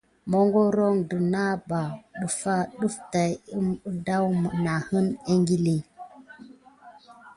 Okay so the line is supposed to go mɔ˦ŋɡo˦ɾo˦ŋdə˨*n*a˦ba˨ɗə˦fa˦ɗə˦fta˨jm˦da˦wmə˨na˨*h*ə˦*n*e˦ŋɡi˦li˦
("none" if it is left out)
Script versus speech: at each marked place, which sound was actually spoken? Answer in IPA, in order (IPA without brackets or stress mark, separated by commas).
n, h, n